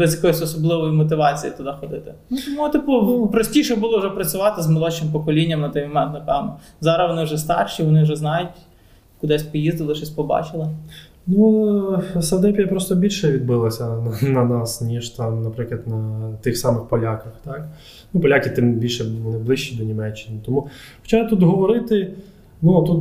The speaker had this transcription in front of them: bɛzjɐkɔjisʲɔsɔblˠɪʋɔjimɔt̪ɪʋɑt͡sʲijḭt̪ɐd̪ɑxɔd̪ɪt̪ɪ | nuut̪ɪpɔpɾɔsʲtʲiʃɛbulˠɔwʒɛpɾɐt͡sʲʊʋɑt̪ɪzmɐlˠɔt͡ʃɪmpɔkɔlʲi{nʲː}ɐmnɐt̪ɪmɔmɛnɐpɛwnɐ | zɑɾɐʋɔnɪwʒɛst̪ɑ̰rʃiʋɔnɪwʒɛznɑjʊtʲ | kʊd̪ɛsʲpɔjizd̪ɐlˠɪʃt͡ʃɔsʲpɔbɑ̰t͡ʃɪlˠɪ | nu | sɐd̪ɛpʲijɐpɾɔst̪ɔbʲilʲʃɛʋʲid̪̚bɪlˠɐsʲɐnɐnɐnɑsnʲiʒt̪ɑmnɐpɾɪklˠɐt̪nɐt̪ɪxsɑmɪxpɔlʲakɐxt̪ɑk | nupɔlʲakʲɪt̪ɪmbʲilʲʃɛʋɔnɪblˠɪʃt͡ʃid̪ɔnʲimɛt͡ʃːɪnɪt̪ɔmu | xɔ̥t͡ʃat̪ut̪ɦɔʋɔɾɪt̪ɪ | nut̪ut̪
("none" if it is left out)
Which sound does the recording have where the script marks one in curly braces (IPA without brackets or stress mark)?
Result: nʲː